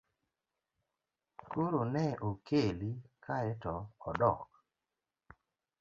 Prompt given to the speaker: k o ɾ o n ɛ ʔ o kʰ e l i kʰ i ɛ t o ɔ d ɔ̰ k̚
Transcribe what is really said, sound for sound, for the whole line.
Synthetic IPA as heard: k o ɾ o n ɛ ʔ o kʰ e l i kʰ a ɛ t ɔ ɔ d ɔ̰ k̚